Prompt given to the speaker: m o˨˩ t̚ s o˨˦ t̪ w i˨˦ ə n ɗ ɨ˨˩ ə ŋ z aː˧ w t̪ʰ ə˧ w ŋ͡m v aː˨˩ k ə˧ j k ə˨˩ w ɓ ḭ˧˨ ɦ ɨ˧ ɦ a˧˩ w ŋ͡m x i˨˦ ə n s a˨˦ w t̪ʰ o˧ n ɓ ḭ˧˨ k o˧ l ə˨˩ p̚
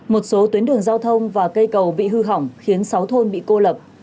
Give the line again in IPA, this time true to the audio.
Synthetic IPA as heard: m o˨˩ t̚ s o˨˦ t̪ w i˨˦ ə n ɗ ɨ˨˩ ə ŋ z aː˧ w t̪ʰ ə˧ w ŋ͡m v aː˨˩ k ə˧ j k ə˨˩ w ɓ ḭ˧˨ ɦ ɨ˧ ɦ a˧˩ w ŋ͡m x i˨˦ ə n s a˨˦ w t̪ʰ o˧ n ɓ ḭ˧˨ k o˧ l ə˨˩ p̚

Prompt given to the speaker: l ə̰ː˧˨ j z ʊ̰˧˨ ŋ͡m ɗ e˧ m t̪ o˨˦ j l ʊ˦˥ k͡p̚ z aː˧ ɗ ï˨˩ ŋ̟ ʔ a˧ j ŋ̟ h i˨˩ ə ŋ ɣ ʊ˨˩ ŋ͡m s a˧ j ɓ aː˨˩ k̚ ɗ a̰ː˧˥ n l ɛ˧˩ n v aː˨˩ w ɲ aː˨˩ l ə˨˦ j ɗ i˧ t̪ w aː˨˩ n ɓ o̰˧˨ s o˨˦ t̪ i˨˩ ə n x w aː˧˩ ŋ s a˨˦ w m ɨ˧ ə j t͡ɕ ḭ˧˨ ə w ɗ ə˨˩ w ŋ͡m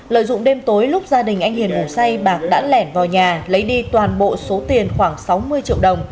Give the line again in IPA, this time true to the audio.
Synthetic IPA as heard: l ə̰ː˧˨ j z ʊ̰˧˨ ŋ͡m ɗ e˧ m t̪ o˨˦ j l ʊ˦˥ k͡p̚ z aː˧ ɗ ï˨˩ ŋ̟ ʔ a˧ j ŋ̟ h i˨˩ ə n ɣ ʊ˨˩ ŋ͡m s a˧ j ɓ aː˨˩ k̚ ɗ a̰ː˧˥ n l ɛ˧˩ n v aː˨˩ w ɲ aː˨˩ l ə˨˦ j ɗ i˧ t̪ w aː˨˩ n ɓ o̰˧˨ s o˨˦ t̪ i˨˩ ə n x w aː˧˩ ŋ s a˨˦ w m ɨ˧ ə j t͡ɕ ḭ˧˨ ə w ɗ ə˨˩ w ŋ͡m

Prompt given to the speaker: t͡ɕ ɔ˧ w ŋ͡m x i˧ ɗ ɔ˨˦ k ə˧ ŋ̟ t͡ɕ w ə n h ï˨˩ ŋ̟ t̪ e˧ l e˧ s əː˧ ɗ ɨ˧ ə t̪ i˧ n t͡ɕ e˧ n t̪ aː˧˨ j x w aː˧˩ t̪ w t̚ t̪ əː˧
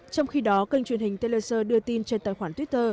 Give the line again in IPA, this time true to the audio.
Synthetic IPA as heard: t͡ɕ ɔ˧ w ŋ͡m x i˧ ɗ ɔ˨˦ k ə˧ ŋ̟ t͡ɕ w ə n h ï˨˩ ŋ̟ t̪ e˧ l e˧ s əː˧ ɗ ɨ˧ ə t̪ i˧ n t͡ɕ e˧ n t̪ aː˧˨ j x w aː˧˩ t̪ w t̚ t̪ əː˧

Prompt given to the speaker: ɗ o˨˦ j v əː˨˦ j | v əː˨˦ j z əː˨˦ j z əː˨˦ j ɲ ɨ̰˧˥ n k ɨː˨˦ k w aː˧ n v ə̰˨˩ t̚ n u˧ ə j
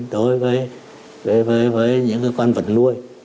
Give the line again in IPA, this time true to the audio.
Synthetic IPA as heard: ɗ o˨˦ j v əː˨˦ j | v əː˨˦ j v əː˨˦ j v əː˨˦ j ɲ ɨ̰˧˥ ŋ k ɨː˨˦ k w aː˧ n v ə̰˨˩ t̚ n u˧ ə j

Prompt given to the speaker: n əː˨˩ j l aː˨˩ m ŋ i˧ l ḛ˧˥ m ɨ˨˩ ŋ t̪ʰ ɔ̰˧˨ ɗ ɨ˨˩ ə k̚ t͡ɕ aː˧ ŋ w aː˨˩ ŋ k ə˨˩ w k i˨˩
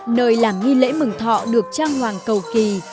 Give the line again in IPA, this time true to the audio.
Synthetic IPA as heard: n əː˨˩ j l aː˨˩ m ŋ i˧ l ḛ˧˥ m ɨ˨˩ ŋ t̪ʰ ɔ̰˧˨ ɗ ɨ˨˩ ə k̚ t͡ɕ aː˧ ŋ w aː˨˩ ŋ k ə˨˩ w k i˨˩

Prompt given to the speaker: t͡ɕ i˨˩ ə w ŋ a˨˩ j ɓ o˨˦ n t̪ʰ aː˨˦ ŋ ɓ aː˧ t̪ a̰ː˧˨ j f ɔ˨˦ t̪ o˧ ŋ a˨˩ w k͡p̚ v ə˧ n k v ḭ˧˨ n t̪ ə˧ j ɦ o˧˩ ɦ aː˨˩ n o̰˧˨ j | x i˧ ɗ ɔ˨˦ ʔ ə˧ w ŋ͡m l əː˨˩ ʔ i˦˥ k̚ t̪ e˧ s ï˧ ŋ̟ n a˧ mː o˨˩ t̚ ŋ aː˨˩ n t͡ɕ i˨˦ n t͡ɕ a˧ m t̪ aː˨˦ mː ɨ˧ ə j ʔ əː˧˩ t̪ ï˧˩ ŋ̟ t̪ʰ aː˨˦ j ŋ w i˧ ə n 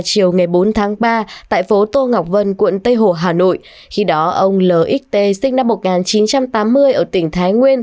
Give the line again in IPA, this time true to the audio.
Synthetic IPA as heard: t͡ɕ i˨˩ ə w ŋ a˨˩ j ɓ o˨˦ n t̪ʰ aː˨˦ ŋ ɓ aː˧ t̪ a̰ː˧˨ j f o˨˦ t̪ o˧ ŋ a˨˩ w k͡p̚ v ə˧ n k w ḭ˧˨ n t̪ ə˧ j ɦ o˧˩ ɦ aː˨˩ n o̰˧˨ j | x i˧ ɗ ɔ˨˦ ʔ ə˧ w ŋ͡m l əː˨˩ ʔ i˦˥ k̚ t̪ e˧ s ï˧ ŋ̟ n a˧ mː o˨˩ t̚ ŋ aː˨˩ n t͡ɕ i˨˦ n t͡ɕ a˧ m t̪ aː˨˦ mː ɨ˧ ə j ʔ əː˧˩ t̪ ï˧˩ ŋ̟ t̪ʰ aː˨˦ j ŋ w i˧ ə n

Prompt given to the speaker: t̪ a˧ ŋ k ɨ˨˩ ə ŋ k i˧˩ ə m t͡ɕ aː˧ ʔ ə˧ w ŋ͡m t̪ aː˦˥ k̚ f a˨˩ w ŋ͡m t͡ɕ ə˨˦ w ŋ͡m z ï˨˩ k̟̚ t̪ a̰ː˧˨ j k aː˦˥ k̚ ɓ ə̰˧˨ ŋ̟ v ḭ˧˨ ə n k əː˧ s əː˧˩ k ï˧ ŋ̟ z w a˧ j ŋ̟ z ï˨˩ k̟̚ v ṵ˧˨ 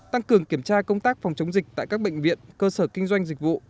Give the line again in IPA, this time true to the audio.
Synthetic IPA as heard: t̪ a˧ ŋ k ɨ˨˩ ə ŋ k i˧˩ ə m t͡ɕ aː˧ k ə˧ w ŋ͡m t̪ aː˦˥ k̚ f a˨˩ w ŋ͡m t͡ɕ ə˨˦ w ŋ͡m z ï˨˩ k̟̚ t̪ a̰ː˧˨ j k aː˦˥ k̚ ɓ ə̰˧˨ ŋ̟ v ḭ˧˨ ə n k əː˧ s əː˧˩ k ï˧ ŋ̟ z w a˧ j ŋ̟ z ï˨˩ k̟̚ v ṵ˧˨

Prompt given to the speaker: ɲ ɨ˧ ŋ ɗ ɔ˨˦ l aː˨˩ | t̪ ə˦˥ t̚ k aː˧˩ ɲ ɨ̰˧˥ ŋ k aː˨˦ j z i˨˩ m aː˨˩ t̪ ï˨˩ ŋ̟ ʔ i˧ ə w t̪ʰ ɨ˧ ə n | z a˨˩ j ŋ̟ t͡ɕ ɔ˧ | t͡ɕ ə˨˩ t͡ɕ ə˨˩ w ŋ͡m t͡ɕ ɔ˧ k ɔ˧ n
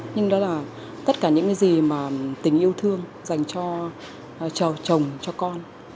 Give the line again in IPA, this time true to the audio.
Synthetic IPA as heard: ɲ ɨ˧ ŋ ɗ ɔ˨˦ l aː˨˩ | t̪ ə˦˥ t̚ k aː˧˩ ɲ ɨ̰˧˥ ŋ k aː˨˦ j z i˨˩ m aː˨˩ t̪ ï˨˩ ŋ̟ ʔ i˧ ə w t̪ʰ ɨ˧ ə ŋ | z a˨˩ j ŋ̟ t͡ɕ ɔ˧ | t͡ɕ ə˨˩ t͡ɕ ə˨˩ w ŋ͡m t͡ɕ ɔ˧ k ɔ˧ n

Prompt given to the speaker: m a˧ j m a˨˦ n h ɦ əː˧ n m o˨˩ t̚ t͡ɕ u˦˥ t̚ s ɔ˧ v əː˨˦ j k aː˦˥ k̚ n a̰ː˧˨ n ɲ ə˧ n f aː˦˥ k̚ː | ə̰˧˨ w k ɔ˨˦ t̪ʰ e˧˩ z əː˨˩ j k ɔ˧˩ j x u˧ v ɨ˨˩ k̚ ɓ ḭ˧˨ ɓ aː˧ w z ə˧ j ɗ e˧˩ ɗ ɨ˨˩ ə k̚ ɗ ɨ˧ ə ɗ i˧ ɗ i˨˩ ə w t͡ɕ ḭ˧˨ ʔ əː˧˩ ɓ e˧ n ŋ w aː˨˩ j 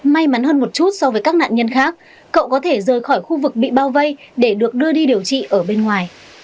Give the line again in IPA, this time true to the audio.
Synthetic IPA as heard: m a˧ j m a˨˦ n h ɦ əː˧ n m o˨˩ t̚ t͡ɕ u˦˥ t̚ s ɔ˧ v əː˨˦ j k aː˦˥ k̚ n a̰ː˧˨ n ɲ ə˧ n x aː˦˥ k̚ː | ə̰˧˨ w k ɔ˨˦ t̪ʰ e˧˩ z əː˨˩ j x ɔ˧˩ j x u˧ v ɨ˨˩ k̚ ɓ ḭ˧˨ ɓ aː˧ w v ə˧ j ɗ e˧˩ ɗ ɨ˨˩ ə k̚ ɗ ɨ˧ ə ɗ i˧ ɗ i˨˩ ə w t͡ɕ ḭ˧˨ ʔ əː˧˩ ɓ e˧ n ŋ w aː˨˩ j

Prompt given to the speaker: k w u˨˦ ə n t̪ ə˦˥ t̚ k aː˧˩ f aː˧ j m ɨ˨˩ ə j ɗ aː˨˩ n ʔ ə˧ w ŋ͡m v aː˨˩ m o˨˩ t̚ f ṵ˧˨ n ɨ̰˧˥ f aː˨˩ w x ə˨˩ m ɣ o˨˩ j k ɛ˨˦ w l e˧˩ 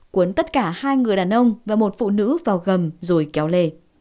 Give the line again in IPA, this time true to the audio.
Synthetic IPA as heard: k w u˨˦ ə n t̪ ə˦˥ t̚ k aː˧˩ h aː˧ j ŋ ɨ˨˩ ə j ɗ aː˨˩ n ʔ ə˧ w ŋ͡m v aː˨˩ m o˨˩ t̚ f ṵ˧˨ n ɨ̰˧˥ v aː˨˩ w ɣ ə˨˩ m z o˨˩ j k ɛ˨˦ w l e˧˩

